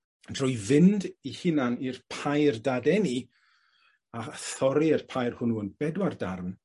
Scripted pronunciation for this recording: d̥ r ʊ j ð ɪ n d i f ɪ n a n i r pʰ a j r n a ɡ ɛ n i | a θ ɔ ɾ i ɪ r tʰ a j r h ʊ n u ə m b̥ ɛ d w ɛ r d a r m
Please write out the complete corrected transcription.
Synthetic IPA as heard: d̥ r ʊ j v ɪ n d i h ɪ n a n i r pʰ a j r d a d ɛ n i | a θ ɔ ɾ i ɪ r pʰ a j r h ʊ n u ə n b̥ ɛ d w a r d a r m

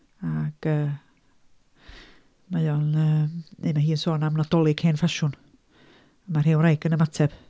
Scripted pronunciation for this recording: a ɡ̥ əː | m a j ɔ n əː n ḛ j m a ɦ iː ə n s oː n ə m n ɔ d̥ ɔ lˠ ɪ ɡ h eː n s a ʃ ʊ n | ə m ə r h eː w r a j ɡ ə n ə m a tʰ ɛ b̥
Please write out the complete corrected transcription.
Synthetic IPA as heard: a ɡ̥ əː | m a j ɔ n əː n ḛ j m a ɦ iː ə n s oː n a m n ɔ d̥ ɔ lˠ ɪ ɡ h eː n f a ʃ ʊ n | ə m a r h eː w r a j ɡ ə n ə m a tʰ ɛ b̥

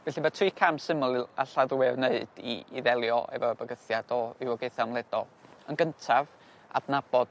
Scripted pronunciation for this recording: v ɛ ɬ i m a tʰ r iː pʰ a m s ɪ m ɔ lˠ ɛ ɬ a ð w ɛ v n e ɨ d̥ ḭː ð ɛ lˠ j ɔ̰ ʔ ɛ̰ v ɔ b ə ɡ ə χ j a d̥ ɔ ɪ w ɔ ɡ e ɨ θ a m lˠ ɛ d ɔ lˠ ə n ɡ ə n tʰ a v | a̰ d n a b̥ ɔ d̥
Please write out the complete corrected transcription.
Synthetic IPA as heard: v ɛ ɬ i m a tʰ r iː kʰ a m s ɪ m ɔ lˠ a ɬ a ð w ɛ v n e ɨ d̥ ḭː ð ɛ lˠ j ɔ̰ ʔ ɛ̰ v ɔ b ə ɡ ə θ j a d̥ ɔ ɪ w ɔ ɡ e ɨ θ a m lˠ ɛ d ɔ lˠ ə n ɡ ə n tʰ a v | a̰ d n a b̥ ɔ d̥

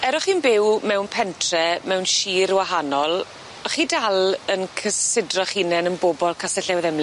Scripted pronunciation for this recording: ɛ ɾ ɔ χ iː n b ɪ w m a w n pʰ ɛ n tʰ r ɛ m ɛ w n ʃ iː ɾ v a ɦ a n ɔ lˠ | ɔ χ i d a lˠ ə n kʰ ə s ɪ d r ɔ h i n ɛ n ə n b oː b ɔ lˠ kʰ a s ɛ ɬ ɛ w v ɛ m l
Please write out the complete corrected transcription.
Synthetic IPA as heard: ɛ ɾ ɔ χ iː n b ɪ w m ɛ w n pʰ ɛ n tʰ r ɛ m ɛ w n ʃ iː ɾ w a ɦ a n ɔ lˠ | ɔ χ i d a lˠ ə n kʰ ə s ɪ d r ɔ χ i n ɛ n ə n b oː b ɔ lˠ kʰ a s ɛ ɬ ɛ w ð ɛ m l

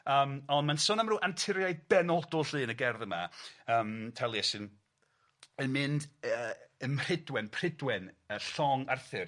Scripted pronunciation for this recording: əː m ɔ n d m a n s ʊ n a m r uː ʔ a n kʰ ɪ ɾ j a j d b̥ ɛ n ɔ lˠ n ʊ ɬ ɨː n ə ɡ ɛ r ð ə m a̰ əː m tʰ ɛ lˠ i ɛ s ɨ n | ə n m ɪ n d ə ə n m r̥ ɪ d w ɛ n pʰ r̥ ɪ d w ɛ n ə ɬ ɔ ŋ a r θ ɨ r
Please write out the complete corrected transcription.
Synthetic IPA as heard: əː m ɔ n d m a n s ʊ n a m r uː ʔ a n tʰ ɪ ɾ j a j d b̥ ɛ n ɔ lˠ d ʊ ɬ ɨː n ə ɡ ɛ r ð ə m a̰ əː m tʰ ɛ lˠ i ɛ s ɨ n | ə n m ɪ n d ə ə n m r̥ ɪ d w ɛ n pʰ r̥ ɪ d w ɛ n ə ɬ ɔ ŋ a r θ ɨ r

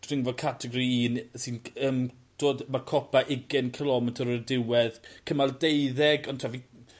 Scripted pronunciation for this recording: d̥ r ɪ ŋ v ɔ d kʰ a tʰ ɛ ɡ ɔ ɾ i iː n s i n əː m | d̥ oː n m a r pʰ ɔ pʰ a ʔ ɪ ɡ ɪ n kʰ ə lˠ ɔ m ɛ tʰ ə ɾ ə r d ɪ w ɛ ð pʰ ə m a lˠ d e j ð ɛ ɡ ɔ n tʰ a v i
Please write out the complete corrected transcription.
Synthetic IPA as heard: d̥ r ɪ ŋ v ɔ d kʰ a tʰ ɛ ɡ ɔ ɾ i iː n s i n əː m | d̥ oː d m a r kʰ ɔ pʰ a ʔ ɪ ɡ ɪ n kʰ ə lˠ ɔ m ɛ tʰ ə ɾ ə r d ɪ w ɛ ð kʰ ə m a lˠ d e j ð ɛ ɡ ɔ n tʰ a v i

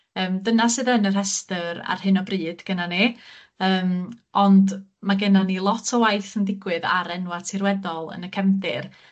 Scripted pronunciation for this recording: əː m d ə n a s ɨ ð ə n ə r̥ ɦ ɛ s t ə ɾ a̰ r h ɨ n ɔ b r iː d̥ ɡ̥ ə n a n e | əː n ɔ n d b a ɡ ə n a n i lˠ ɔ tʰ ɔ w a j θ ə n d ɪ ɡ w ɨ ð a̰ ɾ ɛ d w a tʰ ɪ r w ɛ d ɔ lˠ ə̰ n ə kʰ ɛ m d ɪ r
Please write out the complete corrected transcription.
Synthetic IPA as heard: əː m d ə n a s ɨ ð ə n ə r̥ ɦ ɛ s t ə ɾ a̰ r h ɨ n ɔ b r iː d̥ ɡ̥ ə n a n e | əː m ɔ n d m a ɡ ə n a n i lˠ ɔ tʰ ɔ w a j θ ə n d ɪ ɡ w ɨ ð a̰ ɾ ɛ n w a tʰ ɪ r w ɛ d ɔ lˠ ə̰ n ə kʰ ɛ m d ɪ r

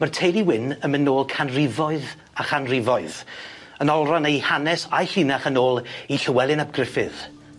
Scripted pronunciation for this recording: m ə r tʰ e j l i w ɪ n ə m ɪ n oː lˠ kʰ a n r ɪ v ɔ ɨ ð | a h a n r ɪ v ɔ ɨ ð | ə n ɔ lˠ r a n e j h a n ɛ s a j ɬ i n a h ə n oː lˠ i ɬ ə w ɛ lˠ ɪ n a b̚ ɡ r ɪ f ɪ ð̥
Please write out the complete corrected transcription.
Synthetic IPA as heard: m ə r tʰ e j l i w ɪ n ə m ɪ n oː lˠ kʰ a n r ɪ v ɔ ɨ ð | a χ a n r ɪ v ɔ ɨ ð | ə n ɔ lˠ r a n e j h a n ɛ s a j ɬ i n a χ ə n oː lˠ i ɬ ə w ɛ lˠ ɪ n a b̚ ɡ r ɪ f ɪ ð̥

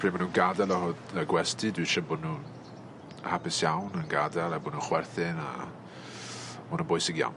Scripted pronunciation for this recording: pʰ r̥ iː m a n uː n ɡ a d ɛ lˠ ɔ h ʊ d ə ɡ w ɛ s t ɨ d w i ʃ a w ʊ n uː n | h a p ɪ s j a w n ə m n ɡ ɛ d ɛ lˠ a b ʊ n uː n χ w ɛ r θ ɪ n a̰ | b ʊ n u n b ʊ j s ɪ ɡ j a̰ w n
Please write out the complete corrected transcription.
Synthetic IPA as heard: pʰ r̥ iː m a n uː n ɡ a d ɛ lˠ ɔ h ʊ d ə ɡ w ɛ s t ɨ d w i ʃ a b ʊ n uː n | h a p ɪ s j a w n ə n ɡ a d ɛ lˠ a b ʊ n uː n χ w ɛ r θ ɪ n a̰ | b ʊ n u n b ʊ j s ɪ ɡ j a̰ w n

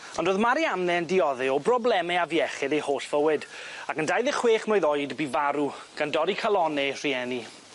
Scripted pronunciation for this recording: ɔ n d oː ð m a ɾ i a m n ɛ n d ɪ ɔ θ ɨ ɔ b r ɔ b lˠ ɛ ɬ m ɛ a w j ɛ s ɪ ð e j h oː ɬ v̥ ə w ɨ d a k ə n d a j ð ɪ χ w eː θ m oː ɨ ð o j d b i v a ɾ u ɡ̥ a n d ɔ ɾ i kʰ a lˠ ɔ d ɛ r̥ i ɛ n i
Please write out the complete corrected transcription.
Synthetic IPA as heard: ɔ n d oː ð m a ɾ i a m n ɛ n d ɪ ɔ ð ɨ ɔ b r ɔ b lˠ ɛ m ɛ a v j ɛ χ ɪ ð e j h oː ɬ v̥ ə w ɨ d a k ə n d a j ð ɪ χ w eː χ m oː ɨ ð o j d b i v a ɾ u ɡ̥ a n d ɔ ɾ i kʰ a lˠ ɔ n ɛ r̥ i ɛ n i

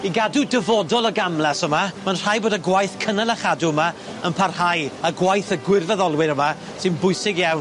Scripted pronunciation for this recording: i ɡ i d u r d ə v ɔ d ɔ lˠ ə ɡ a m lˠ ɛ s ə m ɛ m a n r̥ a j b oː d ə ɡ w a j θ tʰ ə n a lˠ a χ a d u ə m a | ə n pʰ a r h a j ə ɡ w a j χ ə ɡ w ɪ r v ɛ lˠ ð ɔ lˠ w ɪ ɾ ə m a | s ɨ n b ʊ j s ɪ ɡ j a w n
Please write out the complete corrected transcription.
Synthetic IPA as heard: i ɡ a d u d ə v ɔ d ɔ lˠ ə ɡ a m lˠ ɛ s ə m a m a n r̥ a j b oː d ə ɡ w a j θ kʰ ə n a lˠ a χ a d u ə m a | ə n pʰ a r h a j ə ɡ w a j θ ə ɡ w ɪ r v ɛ ð ɔ lˠ w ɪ ɾ ə m a | s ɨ n b ʊ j s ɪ ɡ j a w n

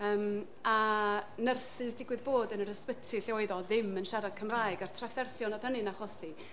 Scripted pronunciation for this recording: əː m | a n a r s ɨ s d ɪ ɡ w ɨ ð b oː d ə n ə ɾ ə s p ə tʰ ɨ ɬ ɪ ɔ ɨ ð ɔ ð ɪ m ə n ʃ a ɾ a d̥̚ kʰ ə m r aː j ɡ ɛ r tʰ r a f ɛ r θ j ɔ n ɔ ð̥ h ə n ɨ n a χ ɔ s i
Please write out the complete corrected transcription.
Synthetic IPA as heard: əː m | a n ə r s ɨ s d ɪ ɡ w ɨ ð b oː d ə n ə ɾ ə s p ə tʰ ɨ ɬ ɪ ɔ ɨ ð ɔ ð ɪ m ə n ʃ a ɾ a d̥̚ kʰ ə m r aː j ɡ a r tʰ r a f ɛ r θ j ɔ n ɔ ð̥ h ə n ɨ n a χ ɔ s i

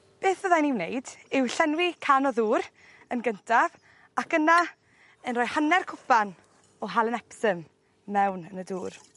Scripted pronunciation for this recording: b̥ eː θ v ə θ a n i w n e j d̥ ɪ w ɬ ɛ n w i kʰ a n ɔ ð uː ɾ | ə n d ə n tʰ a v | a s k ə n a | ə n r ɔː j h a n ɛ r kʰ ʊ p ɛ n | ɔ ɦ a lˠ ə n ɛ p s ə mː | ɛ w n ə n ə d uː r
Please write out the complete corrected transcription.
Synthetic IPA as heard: b̥ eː θ v ə ð a n i w n e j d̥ ɪ w ɬ ɛ n w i kʰ a n ɔ ð uː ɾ | ə n ɡ ə n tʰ a v | a k ə n a | ə n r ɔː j h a n ɛ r kʰ ʊ p a n | ɔ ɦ a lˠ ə n ɛ p s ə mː | ɛ w n ə n ə d uː r

